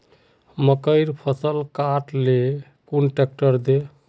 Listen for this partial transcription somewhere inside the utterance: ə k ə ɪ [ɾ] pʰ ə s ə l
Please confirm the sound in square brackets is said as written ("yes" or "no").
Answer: yes